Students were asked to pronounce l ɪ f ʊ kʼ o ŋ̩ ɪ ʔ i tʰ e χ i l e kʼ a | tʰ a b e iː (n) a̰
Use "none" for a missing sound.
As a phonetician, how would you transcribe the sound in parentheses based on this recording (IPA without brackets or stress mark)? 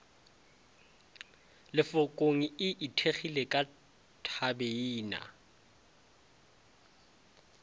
n